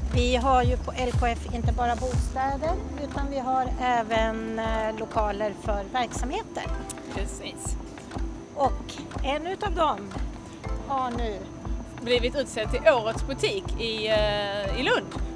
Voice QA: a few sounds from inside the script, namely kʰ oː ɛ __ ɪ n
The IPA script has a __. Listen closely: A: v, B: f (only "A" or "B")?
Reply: B